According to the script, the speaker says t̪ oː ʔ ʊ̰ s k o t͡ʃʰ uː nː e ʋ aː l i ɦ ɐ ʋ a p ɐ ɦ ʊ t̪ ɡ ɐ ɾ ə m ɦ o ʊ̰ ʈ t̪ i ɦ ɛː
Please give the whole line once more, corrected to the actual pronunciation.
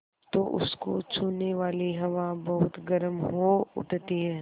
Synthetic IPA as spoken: t̪ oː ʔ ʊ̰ s k o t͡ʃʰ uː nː e ʋ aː l i ɦ ɐ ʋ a b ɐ ɦ ʊ t̪ ɡ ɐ ɾ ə m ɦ o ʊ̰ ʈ t̪ i ɦ ɛː

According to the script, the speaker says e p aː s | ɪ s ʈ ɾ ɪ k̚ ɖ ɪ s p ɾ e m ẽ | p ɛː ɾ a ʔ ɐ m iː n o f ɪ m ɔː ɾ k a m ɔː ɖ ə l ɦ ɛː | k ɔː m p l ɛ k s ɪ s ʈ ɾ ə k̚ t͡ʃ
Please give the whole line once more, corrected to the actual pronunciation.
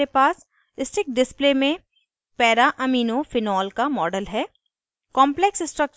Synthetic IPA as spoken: e p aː s | ɪ s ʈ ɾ ɪ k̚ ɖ ɪ s p l e m ẽ | p ɛː ɾ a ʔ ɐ m iː n o f ɪ n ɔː l k a m ɔː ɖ ə l ɦ ɛː | k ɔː m p l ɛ k s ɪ s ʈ ɾ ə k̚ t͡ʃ

